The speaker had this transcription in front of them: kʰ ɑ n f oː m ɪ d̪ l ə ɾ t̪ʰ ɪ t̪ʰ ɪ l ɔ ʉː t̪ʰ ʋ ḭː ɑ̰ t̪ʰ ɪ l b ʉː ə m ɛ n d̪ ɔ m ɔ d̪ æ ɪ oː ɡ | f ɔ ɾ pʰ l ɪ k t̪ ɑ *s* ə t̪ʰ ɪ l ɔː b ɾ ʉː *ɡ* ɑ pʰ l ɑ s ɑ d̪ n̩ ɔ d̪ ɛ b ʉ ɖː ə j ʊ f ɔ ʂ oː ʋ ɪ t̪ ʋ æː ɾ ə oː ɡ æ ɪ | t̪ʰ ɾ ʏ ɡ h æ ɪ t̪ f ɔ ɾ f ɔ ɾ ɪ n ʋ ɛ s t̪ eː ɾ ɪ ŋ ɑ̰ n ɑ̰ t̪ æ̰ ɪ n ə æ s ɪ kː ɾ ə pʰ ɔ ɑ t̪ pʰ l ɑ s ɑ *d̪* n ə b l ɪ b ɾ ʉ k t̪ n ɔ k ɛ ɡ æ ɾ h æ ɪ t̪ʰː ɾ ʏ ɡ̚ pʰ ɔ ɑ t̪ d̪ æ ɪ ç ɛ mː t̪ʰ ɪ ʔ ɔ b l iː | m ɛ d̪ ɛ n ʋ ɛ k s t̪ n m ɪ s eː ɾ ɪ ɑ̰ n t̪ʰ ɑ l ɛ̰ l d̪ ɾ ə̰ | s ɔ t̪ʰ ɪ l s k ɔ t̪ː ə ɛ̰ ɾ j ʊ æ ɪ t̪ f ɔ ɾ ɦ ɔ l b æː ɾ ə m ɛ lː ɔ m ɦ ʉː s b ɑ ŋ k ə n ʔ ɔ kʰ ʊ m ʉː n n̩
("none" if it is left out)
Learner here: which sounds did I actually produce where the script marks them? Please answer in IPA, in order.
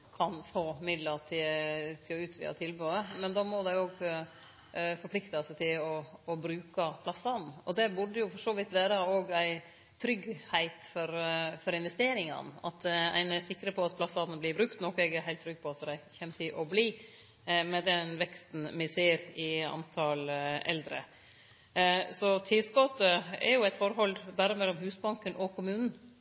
s, k, d̪

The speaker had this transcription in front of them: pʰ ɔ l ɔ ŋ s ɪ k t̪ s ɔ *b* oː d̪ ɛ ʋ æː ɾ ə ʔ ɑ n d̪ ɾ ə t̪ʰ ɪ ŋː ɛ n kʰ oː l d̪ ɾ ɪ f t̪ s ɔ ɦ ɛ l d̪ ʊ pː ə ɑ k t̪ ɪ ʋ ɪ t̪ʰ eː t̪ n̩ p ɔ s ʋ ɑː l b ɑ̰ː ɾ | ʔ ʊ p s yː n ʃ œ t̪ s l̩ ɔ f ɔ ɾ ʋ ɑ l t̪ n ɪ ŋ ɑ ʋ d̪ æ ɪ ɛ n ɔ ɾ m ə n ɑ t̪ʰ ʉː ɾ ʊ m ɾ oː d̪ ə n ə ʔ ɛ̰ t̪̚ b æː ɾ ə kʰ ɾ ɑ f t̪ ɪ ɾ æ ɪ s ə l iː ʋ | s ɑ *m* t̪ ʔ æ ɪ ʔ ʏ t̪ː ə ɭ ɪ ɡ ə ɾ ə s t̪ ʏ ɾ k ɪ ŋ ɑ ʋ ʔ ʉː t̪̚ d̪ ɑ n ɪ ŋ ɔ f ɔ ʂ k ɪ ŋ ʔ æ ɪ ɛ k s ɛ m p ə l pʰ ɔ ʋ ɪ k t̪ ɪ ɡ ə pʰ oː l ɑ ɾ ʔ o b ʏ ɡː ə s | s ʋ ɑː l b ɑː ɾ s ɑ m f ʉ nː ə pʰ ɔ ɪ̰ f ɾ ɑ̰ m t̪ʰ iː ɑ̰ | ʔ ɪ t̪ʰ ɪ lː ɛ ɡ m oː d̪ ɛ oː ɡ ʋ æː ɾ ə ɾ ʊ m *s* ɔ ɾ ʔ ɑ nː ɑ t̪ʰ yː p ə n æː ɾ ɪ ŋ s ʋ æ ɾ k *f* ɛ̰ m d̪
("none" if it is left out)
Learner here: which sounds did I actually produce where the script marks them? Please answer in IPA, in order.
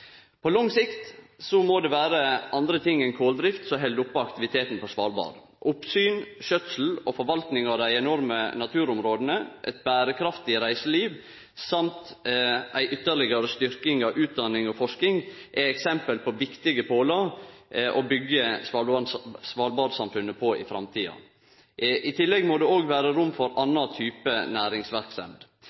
m, m, f, s

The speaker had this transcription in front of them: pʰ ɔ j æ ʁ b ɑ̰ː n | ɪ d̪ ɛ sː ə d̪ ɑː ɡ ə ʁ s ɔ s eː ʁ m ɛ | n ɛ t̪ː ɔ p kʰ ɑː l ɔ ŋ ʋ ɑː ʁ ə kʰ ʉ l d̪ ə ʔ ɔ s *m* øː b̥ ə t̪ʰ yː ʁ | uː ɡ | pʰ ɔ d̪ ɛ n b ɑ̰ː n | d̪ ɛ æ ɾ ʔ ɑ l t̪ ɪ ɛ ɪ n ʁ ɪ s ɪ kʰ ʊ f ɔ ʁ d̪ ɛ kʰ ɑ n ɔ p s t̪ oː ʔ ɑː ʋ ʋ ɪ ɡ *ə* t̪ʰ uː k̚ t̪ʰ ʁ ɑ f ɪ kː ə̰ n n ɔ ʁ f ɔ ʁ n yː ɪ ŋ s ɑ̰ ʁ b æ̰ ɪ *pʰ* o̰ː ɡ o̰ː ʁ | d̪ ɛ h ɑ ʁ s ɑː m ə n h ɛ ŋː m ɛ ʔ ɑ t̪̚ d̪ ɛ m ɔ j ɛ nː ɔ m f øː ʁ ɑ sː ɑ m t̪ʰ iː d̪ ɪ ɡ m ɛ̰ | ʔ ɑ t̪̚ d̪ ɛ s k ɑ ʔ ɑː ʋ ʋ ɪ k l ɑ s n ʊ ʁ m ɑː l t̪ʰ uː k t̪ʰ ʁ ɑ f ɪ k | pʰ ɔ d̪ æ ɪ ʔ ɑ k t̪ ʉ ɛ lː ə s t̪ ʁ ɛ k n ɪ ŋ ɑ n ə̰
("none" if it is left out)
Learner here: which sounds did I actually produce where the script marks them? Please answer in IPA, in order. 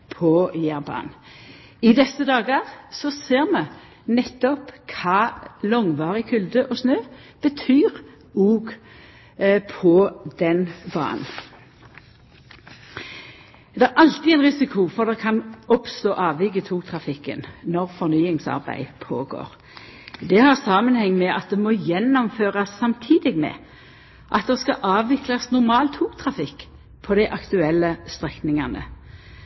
n, ə, pʰ

